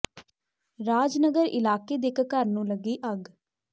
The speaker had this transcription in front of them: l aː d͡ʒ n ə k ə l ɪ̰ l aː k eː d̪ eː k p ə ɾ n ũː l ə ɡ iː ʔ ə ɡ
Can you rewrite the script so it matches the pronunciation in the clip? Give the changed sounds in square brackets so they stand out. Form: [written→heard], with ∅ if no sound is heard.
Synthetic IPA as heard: [l→ɾ] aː d͡ʒ n ə [k→ɡ] ə [l→ɾ] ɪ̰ l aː k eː d̪ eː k [p→k] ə ɾ n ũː l ə ɡ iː ʔ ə ɡ